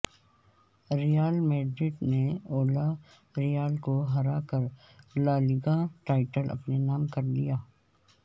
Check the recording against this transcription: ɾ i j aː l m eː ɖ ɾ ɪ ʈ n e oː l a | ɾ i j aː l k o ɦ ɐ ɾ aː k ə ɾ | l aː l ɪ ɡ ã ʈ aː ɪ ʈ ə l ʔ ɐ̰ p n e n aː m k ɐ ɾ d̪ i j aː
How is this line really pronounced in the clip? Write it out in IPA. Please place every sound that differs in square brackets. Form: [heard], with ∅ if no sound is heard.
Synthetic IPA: ɾ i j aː l m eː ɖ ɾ ɪ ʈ n e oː l a | ɾ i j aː l k o ɦ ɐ ɾ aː k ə ɾ | l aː l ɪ ɡ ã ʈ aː ɪ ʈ ə l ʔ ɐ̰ p n e n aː m k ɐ ɾ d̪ i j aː